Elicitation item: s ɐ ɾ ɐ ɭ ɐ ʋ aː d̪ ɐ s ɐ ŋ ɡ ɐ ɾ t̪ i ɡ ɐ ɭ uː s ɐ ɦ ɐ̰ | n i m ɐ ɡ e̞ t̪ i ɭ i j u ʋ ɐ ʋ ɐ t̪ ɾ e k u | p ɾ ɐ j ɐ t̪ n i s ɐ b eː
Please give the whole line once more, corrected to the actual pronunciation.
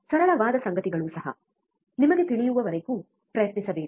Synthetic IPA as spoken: s ɐ ɾ ɐ ɭ ɐ ʋ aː d̪ ɐ s ɐ ŋ ɡ ɐ t̪ i ɡ ɐ ɭ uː s ɐ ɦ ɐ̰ | n i m ɐ ɡ e̞ t̪ i ɭ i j u ʋ ɐ ʋ ɐ ɾ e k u | p ɾ ɐ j ɐ t̪ n i s ɐ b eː